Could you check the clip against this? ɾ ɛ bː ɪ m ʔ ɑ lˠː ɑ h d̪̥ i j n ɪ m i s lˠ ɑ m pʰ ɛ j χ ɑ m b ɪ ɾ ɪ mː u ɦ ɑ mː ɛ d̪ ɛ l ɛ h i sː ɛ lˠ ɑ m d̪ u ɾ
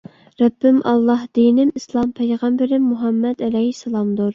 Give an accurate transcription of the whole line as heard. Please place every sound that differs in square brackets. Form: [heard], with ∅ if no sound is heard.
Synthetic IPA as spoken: ɾ ɛ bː ɪ m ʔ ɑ lˠː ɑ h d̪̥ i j n ɪ m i s lˠ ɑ m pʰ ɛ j [ʁ] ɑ m b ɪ ɾ ɪ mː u ɦ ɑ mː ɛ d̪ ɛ l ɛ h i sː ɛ lˠ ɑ m d̪ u ɾ